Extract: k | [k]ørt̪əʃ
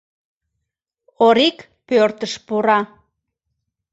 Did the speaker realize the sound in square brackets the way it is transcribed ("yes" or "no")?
no